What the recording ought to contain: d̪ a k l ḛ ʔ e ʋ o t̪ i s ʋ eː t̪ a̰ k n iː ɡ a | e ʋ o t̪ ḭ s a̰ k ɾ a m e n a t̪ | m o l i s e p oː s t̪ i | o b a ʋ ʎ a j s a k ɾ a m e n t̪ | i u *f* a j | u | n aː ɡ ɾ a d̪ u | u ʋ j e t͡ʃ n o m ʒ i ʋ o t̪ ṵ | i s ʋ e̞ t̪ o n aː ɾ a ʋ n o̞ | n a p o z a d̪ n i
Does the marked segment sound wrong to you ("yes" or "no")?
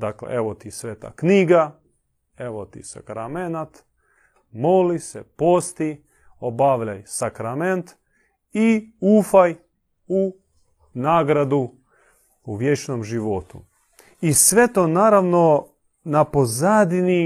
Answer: no